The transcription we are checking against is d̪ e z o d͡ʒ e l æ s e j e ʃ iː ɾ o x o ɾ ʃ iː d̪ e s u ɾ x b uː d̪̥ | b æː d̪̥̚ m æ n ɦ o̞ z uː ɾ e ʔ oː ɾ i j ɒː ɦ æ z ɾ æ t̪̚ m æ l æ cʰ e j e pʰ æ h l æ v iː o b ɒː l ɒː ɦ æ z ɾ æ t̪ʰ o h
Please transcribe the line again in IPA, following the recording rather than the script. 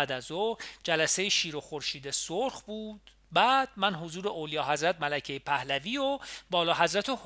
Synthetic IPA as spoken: d̪ æ z o d͡ʒ æ l æ s e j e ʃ iː ɾ o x o ɾ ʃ iː d̪ e s o ɾ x b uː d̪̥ | b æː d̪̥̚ m æ n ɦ o̞ z uː ɾ e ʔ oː l i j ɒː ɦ æ z ɾ æ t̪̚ m æ l æ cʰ e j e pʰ æ h l æ v iː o b ɒː l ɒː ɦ æ z ɾ æ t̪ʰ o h